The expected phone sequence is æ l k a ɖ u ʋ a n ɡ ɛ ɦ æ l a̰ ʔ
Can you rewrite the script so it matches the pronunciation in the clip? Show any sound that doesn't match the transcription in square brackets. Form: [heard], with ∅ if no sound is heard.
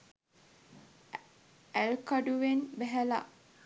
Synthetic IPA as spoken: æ l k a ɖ u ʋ [e] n [b] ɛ ɦ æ l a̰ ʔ